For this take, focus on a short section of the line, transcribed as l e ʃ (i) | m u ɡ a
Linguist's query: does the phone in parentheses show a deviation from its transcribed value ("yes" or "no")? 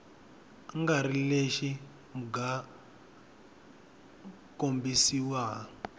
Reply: no